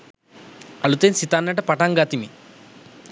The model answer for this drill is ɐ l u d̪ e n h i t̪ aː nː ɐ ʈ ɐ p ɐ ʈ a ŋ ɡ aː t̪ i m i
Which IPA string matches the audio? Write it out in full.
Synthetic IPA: ɐ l u t̪ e n s i t̪ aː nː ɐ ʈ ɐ p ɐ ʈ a ŋ ɡ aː t̪ i m i